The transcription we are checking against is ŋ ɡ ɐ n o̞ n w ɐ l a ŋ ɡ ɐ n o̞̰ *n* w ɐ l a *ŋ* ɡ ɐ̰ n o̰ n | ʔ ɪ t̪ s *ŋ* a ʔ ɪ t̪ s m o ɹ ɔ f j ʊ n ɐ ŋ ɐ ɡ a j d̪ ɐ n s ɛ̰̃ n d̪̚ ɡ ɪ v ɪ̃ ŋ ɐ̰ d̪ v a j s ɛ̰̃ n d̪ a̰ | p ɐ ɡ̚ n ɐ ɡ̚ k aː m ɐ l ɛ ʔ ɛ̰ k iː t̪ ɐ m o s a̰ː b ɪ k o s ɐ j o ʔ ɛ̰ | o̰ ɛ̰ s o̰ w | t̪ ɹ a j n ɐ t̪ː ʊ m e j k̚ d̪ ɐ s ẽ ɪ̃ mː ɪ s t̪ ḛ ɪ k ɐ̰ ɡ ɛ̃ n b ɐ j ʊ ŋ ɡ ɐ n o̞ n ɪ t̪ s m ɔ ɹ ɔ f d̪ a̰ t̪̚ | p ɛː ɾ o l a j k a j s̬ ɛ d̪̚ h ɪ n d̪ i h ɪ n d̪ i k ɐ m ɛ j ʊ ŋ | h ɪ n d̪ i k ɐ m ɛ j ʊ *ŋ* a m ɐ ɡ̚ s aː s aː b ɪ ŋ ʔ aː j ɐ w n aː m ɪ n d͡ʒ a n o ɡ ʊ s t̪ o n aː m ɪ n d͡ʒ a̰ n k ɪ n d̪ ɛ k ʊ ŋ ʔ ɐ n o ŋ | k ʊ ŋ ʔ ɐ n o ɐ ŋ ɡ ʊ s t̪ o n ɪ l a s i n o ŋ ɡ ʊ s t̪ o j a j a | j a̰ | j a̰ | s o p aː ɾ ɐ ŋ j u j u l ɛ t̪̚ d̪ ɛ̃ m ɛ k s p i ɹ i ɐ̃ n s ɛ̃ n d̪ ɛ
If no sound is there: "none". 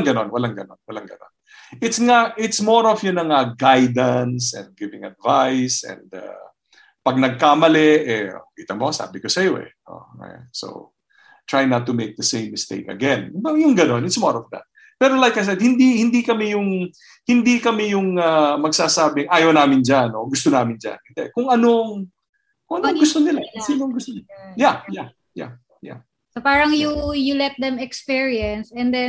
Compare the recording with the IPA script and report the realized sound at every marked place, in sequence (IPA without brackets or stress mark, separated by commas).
n, ŋ, ŋ, ŋ